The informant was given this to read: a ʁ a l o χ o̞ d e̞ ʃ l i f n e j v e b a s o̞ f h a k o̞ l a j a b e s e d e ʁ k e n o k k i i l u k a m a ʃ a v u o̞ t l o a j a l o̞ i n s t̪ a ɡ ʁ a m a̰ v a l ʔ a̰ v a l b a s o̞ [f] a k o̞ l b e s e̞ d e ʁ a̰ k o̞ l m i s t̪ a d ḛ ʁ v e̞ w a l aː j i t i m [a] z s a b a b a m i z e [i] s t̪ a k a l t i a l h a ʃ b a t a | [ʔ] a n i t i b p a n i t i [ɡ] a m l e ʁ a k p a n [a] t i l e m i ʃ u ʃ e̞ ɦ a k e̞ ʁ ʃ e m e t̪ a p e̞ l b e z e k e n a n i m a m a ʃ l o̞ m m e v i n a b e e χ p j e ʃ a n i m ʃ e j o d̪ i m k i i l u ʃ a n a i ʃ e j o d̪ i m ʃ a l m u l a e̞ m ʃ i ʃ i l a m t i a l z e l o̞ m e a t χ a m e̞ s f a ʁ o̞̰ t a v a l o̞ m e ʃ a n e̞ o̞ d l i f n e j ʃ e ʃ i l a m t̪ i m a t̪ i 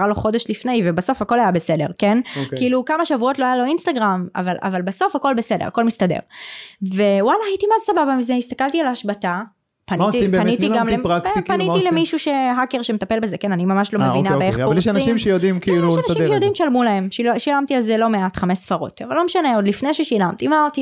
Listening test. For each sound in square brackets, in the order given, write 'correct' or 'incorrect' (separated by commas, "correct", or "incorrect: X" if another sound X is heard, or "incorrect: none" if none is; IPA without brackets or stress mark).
correct, correct, correct, incorrect: p, correct, incorrect: i